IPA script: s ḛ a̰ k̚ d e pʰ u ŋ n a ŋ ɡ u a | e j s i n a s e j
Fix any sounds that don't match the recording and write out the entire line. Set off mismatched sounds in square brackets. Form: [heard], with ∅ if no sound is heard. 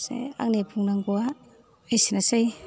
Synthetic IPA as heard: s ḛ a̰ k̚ [n] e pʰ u ŋ n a ŋ ɡ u a | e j s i n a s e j